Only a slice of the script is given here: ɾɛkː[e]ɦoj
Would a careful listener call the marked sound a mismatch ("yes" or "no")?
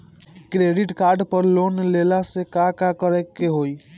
no